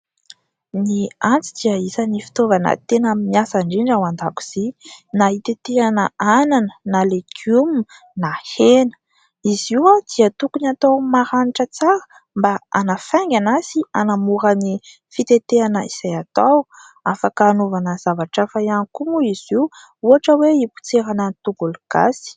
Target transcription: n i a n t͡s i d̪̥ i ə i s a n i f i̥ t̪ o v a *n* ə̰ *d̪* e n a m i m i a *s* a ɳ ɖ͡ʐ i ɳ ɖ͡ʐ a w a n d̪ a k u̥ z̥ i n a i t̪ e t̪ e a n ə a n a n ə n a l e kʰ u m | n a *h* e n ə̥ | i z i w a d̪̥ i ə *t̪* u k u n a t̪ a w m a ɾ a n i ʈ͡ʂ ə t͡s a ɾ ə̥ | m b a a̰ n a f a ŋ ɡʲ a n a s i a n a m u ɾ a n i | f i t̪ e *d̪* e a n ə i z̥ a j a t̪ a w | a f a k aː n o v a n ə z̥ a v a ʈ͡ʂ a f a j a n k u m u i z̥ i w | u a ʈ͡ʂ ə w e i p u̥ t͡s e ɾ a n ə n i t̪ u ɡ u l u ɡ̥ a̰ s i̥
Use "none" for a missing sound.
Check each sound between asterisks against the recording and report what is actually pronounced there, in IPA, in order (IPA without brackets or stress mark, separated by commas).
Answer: n, t̪, s, h, t̪, t̪